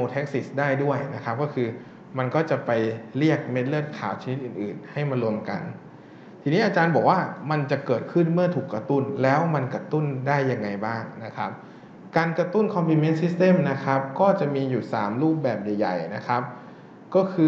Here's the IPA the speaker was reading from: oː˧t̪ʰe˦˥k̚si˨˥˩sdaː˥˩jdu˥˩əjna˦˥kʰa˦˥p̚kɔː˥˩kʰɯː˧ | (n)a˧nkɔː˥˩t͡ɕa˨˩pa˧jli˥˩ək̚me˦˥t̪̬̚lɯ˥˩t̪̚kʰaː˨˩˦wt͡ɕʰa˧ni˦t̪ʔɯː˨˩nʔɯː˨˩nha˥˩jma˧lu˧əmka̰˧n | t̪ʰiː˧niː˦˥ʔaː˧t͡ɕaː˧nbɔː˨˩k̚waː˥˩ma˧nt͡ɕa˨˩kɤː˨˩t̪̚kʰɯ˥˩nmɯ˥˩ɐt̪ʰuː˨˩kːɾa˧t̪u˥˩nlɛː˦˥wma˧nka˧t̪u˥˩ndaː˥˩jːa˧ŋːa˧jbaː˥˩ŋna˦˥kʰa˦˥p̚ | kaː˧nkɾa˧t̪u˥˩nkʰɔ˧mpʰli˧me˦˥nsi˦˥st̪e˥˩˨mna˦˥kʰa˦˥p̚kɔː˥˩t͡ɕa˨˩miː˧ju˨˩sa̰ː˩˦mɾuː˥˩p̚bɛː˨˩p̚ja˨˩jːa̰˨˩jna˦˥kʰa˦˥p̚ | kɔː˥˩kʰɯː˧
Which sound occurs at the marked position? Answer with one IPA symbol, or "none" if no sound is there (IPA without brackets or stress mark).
m